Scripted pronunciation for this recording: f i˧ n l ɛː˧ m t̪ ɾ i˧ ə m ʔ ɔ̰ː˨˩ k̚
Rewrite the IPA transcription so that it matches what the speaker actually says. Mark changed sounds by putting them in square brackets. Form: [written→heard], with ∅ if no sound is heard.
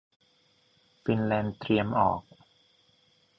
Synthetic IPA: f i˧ n l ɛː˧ [m→n] t̪ ɾ i˧ ə m ʔ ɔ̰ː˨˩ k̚

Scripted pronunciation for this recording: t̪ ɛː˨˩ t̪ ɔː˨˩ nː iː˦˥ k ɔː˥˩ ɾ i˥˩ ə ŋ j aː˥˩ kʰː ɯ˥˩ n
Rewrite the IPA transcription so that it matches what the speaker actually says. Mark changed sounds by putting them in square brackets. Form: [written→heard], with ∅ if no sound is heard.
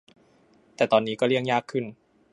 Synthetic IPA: t̪ ɛː˨˩ t̪ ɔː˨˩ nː iː˦˥ k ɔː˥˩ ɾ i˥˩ ə ŋ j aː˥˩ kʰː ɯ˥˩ n

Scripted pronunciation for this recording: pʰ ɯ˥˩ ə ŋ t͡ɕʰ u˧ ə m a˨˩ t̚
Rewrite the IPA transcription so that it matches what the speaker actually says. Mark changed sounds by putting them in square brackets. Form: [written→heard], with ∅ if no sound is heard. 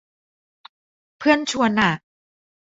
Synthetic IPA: pʰ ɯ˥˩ ə [ŋ→n] t͡ɕʰ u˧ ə [m→n] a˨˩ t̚

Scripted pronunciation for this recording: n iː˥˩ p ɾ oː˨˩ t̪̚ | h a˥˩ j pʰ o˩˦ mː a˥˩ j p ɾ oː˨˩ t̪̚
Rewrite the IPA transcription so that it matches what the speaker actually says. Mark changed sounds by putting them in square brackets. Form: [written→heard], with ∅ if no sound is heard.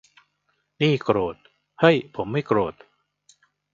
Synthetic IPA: n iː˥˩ [p→k] ɾ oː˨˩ t̪̚ | h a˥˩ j pʰ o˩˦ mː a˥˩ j [p→k] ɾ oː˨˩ t̪̚

